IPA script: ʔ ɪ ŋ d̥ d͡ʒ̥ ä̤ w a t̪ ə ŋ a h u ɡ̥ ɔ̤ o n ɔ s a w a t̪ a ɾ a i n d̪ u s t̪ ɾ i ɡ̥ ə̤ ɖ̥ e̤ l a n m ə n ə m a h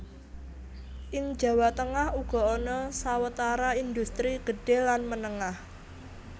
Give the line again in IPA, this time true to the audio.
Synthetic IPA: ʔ ɪ ŋ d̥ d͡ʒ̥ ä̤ w a t̪ ə ŋ a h u ɡ̥ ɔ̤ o n ɔ s a w ə t̪ a ɾ a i n d̪ u s t̪ ɾ i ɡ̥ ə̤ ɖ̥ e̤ l a n m ə n ə ŋ a h